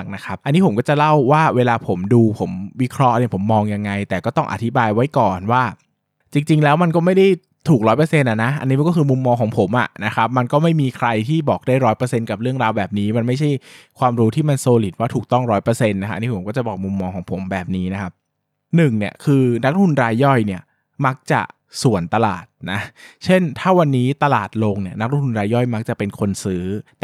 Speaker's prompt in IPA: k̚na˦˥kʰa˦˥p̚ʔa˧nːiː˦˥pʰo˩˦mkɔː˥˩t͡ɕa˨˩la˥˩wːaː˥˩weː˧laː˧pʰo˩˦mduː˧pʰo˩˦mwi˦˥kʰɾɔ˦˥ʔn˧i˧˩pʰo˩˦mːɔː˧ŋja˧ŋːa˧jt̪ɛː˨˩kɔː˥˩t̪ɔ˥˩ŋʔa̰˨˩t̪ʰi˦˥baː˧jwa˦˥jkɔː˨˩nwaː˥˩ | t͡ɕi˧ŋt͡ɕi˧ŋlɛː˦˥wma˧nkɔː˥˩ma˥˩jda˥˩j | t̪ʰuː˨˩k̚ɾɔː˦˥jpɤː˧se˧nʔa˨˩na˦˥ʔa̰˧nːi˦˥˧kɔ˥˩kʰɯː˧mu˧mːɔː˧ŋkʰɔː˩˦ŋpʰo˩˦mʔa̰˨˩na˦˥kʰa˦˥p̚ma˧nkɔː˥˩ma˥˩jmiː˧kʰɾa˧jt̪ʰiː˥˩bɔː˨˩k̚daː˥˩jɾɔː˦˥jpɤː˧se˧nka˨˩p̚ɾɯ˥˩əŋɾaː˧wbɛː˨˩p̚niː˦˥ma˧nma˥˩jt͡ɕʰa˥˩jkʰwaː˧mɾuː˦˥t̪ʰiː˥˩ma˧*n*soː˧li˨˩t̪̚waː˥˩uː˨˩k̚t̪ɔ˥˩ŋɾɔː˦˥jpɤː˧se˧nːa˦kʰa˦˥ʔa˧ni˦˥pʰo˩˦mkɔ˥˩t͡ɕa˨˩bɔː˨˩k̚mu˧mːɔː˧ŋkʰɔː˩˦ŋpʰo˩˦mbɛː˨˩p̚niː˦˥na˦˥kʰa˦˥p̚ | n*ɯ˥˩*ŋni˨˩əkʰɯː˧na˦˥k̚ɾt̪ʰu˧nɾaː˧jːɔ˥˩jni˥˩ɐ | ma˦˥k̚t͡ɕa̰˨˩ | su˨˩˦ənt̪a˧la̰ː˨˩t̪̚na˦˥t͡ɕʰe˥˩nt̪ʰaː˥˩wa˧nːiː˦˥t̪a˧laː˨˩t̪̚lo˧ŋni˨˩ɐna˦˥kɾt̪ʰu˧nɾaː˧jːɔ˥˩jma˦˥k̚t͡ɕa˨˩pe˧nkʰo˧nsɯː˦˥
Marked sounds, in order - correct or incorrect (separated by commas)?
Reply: correct, incorrect